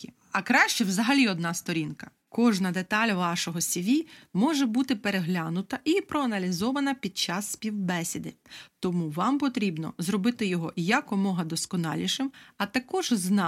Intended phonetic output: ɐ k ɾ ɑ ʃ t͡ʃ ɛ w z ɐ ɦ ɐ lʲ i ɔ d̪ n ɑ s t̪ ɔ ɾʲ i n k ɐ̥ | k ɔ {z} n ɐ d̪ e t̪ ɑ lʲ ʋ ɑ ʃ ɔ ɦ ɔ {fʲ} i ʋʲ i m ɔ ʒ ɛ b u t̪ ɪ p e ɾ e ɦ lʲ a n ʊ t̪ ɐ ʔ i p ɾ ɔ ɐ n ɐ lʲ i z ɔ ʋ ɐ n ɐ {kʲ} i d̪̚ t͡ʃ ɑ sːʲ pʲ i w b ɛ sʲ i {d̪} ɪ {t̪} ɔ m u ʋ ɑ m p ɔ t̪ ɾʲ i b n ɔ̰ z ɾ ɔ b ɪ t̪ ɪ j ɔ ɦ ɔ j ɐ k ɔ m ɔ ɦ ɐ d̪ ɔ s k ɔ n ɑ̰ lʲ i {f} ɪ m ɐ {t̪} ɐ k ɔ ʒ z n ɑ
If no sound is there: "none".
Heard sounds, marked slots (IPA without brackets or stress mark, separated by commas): ʒ, sʲ, pʲ, d̪, t̪, ʃ, t̪